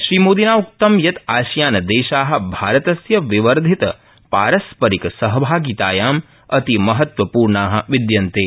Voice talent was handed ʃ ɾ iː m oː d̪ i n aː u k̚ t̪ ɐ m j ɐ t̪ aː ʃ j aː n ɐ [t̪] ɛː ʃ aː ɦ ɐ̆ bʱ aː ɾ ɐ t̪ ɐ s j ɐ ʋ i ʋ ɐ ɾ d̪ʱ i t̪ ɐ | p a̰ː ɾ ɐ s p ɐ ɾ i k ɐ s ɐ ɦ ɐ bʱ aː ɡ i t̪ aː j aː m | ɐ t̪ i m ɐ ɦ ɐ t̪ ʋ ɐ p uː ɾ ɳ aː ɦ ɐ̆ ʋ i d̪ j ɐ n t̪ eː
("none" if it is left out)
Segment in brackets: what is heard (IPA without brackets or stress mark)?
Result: d̪